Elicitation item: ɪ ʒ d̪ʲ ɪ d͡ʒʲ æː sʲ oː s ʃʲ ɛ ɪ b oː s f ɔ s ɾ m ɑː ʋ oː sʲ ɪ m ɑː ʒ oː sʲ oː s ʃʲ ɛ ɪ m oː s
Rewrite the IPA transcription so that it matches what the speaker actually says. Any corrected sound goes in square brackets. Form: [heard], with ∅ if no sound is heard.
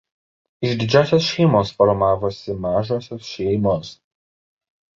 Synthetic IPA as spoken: ɪ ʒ d̪ʲ ɪ d͡ʒʲ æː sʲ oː s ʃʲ ɛ ɪ [m] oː s f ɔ [∅] ɾ m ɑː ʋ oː sʲ ɪ m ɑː ʒ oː sʲ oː s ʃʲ ɛ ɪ m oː s

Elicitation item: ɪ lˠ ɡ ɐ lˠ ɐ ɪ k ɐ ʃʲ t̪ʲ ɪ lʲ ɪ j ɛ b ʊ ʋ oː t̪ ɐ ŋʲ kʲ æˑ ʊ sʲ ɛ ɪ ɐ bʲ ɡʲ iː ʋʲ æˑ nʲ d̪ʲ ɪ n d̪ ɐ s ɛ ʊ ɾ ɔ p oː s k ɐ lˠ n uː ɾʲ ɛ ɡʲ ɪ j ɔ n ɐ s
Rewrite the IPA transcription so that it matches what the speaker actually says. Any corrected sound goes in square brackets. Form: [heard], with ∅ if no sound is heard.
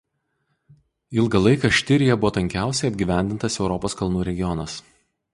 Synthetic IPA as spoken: ɪ lˠ ɡ ɐ lˠ ɐ ɪ k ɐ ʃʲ t̪ʲ ɪ [ɾʲ] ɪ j ɛ b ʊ ʋ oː t̪ ɐ ŋʲ kʲ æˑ ʊ sʲ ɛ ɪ ɐ bʲ ɡʲ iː ʋʲ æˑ nʲ d̪ʲ ɪ n [t̪] ɐ s ɛ ʊ ɾ ɔ p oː s k ɐ lˠ n uː ɾʲ ɛ ɡʲ ɪ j ɔ n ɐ s

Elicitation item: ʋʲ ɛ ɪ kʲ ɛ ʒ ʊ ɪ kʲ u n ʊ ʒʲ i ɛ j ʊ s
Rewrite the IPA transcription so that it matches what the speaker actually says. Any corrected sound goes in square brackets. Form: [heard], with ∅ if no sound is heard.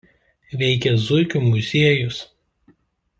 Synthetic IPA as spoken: ʋʲ ɛ ɪ kʲ ɛ [z] ʊ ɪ kʲ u [m] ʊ [zʲ] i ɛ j ʊ s

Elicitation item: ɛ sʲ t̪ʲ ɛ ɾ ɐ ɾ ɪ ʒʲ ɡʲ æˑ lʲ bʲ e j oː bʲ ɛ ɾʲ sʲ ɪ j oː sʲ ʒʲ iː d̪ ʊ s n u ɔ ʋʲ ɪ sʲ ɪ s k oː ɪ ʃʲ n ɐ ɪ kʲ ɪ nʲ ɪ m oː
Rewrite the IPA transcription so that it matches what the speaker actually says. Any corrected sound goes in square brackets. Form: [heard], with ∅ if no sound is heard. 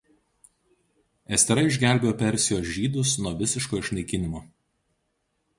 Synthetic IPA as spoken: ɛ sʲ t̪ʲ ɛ ɾ ɐ [∅] ɪ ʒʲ ɡʲ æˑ lʲ bʲ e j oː [pʲ] ɛ ɾʲ sʲ ɪ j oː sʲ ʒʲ iː d̪ ʊ s n u ɔ ʋʲ ɪ sʲ ɪ [ʃ] k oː ɪ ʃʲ n ɐ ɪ kʲ ɪ nʲ ɪ m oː

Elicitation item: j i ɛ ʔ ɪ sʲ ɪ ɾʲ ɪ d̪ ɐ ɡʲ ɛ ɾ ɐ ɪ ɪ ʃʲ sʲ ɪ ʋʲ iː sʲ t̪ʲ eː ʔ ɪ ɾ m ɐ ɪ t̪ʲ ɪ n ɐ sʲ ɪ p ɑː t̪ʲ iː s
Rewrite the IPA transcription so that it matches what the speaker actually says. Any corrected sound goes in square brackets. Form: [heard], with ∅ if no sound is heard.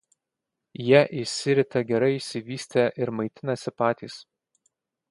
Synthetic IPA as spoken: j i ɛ ʔ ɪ sʲ ɪ ɾʲ ɪ [t̪] ɐ ɡʲ ɛ ɾ ɐ ɪ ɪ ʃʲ sʲ ɪ ʋʲ iː sʲ t̪ʲ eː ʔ ɪ ɾ m ɐ ɪ t̪ʲ ɪ n ɐ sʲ ɪ p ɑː t̪ʲ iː s

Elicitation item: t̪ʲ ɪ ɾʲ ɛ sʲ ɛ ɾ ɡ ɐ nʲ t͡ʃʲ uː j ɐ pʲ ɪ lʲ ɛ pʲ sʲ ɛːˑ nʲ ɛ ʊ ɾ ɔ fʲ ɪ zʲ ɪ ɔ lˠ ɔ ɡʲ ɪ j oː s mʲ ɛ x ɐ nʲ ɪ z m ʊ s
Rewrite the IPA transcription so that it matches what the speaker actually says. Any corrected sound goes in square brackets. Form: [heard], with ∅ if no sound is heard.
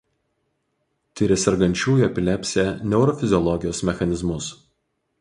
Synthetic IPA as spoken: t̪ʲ ɪ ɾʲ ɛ sʲ ɛ ɾ ɡ ɐ nʲ t͡ʃʲ uː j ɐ pʲ ɪ lʲ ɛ pʲ sʲ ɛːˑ nʲ ɛ ʊ ɾ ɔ fʲ ɪ zʲ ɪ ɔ lˠ ɔ ɡʲ ɪ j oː s mʲ ɛ x ɐ nʲ ɪ z m ʊ s

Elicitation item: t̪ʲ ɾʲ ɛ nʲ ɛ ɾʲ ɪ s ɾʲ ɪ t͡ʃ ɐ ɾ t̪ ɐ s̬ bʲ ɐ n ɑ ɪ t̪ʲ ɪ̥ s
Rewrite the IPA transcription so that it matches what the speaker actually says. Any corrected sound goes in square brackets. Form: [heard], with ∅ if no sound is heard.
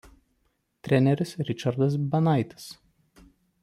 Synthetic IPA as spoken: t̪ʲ ɾʲ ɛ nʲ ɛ ɾʲ ɪ s ɾʲ ɪ t͡ʃ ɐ ɾ [d̪] ɐ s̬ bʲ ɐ n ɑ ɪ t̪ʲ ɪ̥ s

